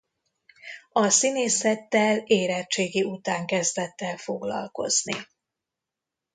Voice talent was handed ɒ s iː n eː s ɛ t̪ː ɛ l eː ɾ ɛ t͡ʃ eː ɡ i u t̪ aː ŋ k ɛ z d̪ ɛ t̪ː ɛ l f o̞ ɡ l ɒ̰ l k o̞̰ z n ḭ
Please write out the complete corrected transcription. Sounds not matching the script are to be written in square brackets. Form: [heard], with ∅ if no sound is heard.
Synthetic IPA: ɒ s [i] n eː s ɛ t̪ː ɛ l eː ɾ ɛ t͡ʃ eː ɡ i u t̪ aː ŋ k ɛ z d̪ ɛ t̪ː ɛ l f o̞ ɡ l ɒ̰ l k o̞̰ z n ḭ